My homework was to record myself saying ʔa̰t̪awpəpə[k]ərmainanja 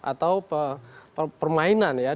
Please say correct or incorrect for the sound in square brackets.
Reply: incorrect